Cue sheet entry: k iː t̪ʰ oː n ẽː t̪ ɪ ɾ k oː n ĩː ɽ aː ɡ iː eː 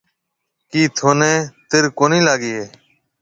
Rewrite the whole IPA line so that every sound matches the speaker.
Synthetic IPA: k iː t̪ʰ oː n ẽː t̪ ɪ ɾ k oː n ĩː l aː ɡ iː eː